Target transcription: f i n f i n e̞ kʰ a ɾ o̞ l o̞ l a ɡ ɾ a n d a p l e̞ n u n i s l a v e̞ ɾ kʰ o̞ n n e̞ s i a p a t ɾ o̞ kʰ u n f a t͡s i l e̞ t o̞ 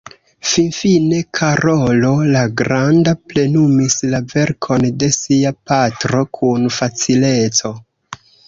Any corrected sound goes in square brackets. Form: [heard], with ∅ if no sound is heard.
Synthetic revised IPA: f i n f i n e̞ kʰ a ɾ o̞ l o̞ l a ɡ ɾ a n d a p l e̞ n u [m] i s l a v e̞ ɾ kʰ o̞ n [d] e̞ s i a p a t ɾ o̞ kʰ u n f a t͡s i l e̞ [t͡s] o̞

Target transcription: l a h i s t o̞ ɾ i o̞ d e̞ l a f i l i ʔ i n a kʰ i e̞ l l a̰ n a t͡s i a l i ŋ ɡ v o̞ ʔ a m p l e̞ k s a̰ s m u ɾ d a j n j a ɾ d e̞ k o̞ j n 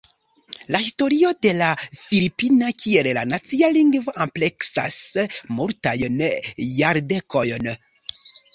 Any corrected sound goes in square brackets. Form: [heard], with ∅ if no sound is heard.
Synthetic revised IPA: l a h i s t o̞ ɾ i o̞ d e̞ l a f i l i [p] i n a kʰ i e̞ l l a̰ n a t͡s i a l i ŋ ɡ v o̞ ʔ a m p l e̞ k s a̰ s m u ɾ [t] a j n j a ɾ d e̞ k o̞ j n

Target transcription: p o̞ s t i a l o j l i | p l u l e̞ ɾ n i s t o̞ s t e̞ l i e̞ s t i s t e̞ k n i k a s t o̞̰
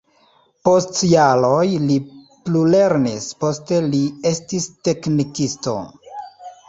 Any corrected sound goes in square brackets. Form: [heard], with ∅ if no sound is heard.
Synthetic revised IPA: p o̞ s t [j] a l o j l i | p l u l e̞ ɾ n i s [p] o̞ s t e̞ l i e̞ s t i s t e̞ k n i k [i] s t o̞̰

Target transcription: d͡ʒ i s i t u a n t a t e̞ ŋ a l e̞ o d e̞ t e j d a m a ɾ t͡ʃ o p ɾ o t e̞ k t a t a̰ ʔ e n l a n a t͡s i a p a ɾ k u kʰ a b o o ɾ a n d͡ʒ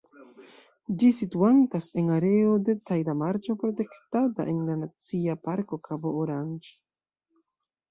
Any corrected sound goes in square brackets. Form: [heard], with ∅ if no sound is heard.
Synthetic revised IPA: d͡ʒ i s i t u a n t a [s] e̞ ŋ a [ɾ] e̞ o d e̞ t [a] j d a m a ɾ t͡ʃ o p ɾ o t e̞ k t a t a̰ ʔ e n l a n a t͡s i a p a ɾ k [o] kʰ a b o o ɾ a n d͡ʒ

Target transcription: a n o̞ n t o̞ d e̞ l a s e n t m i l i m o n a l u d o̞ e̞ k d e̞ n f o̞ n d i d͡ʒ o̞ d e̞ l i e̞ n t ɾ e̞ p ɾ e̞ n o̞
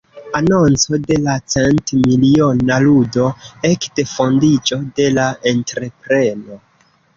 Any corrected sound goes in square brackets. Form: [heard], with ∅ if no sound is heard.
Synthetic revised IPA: a n o̞ n [t͡s] o̞ d e̞ l a [t͡s] e n t m i l i [∅] o n a l u d o̞ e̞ k d e̞ [∅] f o̞ n d i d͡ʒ o̞ d e̞ l [a] e̞ n t ɾ e̞ p ɾ e̞ n o̞

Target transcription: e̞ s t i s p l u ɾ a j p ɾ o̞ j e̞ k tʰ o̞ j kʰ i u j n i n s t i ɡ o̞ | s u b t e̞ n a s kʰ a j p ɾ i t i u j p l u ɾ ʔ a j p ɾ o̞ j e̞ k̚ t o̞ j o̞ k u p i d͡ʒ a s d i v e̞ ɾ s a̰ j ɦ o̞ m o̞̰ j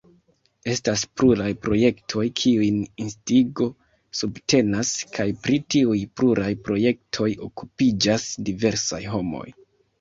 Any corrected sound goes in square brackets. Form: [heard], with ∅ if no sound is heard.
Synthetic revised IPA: e̞ s t [a] s p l u ɾ a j p ɾ o̞ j e̞ k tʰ o̞ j kʰ i u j n i n s t i ɡ o̞ | s u b t e̞ n a s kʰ a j p ɾ i t i u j p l u ɾ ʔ a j p ɾ o̞ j e̞ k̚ [tʰ] o̞ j o̞ k u p i d͡ʒ a s d i v e̞ ɾ s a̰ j ɦ o̞ m o̞̰ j

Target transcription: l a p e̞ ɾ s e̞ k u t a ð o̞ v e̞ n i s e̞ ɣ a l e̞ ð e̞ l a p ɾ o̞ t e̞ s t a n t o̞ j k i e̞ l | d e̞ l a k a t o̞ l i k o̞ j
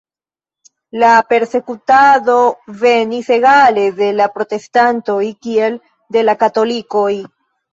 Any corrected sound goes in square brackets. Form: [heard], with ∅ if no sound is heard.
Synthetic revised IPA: l a p e̞ ɾ s e̞ k u t a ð o̞ v e̞ n i s e̞ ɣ a l e̞ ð e̞ l a p ɾ o̞ t e̞ s t a n t o̞ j k i e̞ l | d e̞ l a k a t o̞ l i k o̞ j

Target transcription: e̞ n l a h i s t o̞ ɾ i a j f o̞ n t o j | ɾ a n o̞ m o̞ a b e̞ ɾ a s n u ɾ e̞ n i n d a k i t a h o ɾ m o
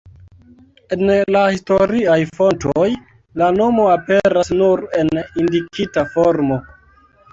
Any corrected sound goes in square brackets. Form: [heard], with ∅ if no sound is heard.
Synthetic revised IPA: e̞ n l a h i s t o̞ ɾ i a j f o̞ n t o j | [l] a n o̞ m o̞ a [p] e̞ ɾ a s n u ɾ e̞ n i n d [i] k i t a [f] o ɾ m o

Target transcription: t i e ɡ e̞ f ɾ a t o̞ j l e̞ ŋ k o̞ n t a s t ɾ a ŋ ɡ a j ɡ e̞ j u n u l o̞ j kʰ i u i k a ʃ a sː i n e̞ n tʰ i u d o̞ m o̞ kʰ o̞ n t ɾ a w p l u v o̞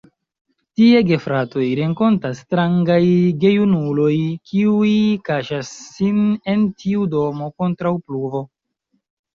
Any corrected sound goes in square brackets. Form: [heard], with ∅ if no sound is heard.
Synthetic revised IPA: t i e ɡ e̞ f ɾ a t o̞ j [ɾ] e̞ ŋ k o̞ n t a s t ɾ a ŋ ɡ a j ɡ e̞ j u n u l o̞ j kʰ i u i k a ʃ a sː i n e̞ n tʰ i u d o̞ m o̞ [k] o̞ n t ɾ a w p l u v o̞

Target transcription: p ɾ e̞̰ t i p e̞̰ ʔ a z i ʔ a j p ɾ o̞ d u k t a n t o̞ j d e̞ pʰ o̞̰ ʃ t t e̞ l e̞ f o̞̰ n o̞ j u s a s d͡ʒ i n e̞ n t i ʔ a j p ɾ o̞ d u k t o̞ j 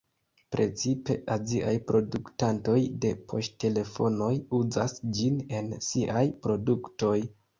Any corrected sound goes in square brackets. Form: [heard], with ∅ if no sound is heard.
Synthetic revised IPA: p ɾ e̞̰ [t͡s] i p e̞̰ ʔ a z i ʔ a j p ɾ o̞ d u k t a n t o̞ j d e̞ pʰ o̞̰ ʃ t t e̞ l e̞ f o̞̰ n o̞ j u [z] a s d͡ʒ i n e̞ n [s] i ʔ a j p ɾ o̞ d u k t o̞ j

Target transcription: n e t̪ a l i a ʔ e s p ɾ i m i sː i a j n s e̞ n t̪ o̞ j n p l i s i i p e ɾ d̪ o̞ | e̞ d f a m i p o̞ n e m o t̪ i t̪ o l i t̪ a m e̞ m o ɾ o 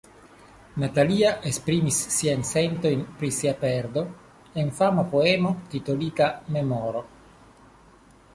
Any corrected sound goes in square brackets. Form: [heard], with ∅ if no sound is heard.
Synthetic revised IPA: n [a] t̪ a l i a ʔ e s p ɾ i m i sː i a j n s e̞ n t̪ o̞ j n p [ɾ] i s i [a] p e ɾ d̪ o̞ | e̞ [n] f a m [a] p o̞ [∅] e m o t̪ i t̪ o l i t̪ a m e̞ m o ɾ o

